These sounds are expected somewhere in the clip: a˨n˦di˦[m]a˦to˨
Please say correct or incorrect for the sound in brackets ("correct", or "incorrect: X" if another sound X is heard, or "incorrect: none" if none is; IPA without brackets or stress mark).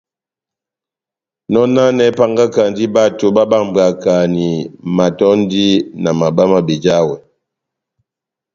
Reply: incorrect: b